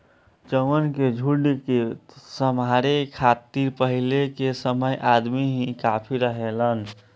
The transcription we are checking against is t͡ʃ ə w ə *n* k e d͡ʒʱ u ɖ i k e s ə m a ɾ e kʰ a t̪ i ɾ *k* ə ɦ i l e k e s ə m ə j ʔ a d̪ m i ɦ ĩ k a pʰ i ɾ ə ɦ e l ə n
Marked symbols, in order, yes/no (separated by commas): yes, no